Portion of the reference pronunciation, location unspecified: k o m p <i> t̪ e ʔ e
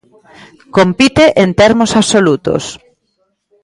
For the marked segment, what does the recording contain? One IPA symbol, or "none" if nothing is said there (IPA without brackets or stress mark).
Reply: i